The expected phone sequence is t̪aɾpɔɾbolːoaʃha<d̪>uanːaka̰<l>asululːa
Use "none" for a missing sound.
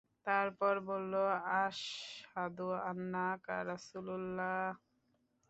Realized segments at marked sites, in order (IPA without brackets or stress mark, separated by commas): d̪, ɾ